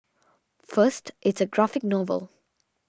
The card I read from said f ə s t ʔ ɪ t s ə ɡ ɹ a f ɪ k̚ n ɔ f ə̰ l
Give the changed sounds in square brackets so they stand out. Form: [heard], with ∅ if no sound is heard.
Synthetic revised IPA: f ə s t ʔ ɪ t s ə ɡ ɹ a f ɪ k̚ n ɔ [v] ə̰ l